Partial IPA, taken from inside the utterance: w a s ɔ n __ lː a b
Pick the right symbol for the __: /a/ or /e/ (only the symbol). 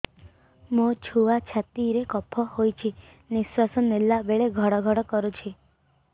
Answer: e